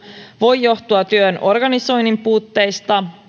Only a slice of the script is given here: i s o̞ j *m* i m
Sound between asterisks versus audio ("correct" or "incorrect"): incorrect